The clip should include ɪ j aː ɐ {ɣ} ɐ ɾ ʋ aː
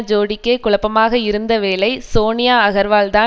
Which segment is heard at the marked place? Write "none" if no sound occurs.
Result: ɣ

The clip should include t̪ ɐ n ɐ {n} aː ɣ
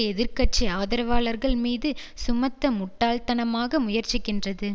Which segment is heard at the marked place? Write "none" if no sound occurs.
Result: m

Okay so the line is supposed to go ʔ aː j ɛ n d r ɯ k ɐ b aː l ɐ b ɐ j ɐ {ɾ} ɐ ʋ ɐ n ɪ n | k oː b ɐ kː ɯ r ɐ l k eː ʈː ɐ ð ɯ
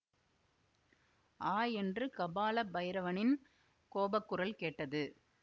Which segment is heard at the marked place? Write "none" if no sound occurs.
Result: ɾ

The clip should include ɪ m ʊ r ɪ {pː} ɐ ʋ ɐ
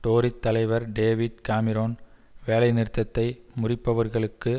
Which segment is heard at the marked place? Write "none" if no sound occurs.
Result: pː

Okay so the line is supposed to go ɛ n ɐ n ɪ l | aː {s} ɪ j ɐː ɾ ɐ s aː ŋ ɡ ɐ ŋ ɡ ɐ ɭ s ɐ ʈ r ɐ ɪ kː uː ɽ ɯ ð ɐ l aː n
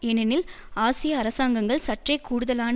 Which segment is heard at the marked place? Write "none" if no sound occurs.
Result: s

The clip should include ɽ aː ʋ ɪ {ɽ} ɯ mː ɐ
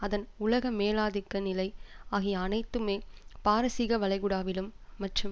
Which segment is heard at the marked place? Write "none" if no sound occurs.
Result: l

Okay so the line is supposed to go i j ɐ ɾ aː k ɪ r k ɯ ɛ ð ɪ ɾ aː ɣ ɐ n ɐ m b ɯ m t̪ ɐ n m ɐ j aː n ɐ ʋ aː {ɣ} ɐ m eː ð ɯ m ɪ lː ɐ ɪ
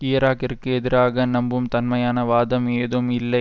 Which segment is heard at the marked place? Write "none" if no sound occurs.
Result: ð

